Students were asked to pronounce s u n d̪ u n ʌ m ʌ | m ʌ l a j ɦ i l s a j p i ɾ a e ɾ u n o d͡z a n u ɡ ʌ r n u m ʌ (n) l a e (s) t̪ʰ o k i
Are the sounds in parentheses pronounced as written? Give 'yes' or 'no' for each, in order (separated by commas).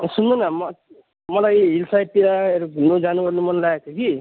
yes, no